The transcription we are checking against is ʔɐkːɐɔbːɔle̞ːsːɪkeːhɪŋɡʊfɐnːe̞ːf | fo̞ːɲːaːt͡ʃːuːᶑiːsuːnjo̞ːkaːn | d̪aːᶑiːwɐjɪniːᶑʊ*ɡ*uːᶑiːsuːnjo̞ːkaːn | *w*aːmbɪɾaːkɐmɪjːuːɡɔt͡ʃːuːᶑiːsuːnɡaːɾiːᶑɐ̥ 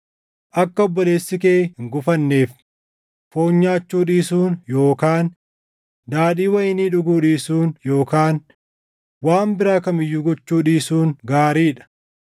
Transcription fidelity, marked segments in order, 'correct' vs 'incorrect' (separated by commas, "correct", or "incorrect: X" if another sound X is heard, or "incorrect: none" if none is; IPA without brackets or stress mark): correct, correct